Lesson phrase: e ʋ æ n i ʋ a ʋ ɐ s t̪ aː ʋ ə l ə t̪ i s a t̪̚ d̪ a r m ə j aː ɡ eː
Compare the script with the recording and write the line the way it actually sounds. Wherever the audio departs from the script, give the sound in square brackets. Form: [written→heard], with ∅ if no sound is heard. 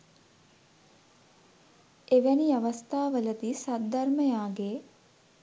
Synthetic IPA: e ʋ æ n i [ʋ→∅] a ʋ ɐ s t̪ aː ʋ ə l ə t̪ i s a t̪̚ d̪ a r m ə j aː ɡ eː